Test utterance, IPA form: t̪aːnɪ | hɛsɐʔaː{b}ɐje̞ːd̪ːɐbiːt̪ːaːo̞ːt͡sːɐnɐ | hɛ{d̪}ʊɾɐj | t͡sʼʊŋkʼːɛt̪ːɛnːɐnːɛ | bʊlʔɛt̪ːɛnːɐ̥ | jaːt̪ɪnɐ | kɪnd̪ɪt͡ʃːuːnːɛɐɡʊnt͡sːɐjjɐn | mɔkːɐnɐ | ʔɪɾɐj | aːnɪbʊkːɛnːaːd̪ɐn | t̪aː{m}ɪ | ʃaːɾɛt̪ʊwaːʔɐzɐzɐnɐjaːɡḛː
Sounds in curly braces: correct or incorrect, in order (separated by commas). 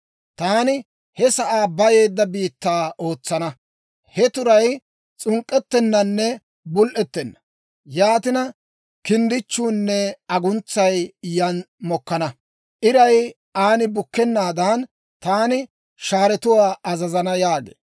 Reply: correct, incorrect, incorrect